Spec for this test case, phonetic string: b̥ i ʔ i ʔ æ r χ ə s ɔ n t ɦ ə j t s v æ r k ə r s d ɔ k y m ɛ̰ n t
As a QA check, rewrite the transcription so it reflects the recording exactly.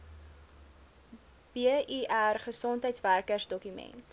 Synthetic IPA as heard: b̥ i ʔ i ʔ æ r χ ə s ɔ n t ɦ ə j t s v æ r k ə r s d ɔ k y m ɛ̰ n t